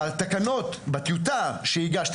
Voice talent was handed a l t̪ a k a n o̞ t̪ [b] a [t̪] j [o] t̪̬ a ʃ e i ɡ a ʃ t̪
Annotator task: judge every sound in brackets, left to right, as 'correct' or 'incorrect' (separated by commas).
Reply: correct, correct, incorrect